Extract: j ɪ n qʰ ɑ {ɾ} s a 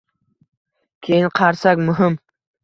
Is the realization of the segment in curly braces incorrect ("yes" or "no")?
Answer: no